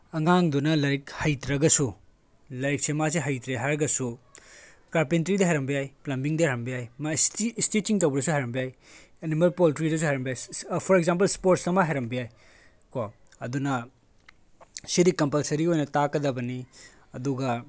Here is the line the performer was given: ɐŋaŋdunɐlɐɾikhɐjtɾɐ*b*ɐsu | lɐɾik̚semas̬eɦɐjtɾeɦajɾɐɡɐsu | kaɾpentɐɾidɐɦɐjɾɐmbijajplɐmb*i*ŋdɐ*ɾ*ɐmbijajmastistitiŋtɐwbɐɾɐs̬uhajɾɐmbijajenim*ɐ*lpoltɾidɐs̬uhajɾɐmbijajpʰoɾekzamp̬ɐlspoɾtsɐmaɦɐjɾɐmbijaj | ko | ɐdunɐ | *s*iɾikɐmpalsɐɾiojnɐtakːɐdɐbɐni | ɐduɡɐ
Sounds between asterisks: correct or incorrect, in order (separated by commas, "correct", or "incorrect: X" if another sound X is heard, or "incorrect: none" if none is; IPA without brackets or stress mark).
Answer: incorrect: ɡ, correct, correct, correct, correct